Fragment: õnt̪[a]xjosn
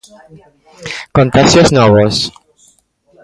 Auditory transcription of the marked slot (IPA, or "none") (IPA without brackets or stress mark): a